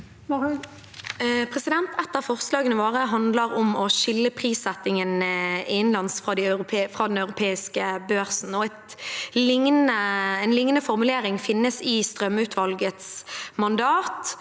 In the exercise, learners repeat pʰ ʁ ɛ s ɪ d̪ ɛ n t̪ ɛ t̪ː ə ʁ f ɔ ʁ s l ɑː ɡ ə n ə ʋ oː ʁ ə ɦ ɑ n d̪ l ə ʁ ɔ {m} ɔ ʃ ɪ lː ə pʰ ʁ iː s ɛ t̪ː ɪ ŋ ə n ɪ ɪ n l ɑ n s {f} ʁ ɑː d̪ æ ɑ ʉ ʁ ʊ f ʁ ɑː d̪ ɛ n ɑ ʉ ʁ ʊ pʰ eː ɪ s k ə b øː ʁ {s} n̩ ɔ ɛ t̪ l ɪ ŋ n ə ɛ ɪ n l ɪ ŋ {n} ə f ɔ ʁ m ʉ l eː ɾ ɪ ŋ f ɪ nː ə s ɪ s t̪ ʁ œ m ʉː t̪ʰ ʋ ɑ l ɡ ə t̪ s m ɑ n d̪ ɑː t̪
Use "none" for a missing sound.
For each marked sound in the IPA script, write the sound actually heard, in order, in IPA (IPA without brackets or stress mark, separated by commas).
m, f, s, n